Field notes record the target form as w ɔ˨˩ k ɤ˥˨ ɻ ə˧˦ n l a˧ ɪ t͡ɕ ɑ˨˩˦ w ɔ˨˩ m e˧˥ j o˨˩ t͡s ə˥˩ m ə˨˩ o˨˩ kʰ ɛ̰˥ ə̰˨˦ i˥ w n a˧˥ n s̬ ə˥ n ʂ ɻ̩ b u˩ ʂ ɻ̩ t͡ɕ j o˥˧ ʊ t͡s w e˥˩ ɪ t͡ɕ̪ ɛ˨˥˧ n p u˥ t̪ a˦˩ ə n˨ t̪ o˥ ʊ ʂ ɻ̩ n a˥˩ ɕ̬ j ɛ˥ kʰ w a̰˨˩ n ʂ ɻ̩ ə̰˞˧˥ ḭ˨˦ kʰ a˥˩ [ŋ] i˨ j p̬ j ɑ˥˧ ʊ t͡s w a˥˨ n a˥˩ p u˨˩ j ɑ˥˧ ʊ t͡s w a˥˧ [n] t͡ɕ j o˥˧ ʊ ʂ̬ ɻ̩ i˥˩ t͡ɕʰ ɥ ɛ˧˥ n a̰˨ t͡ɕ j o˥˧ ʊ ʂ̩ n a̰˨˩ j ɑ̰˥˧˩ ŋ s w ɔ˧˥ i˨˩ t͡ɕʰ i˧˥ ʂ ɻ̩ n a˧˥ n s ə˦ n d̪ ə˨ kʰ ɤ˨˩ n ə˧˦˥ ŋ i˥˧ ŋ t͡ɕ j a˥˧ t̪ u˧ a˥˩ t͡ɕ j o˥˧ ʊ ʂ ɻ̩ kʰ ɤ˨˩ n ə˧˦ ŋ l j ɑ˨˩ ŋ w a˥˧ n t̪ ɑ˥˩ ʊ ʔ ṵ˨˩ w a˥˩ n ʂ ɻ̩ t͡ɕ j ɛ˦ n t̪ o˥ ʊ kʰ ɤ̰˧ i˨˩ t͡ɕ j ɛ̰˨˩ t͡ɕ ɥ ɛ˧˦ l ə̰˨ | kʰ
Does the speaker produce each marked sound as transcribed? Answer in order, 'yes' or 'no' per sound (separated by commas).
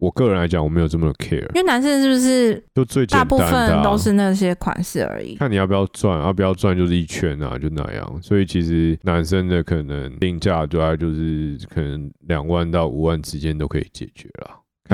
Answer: no, yes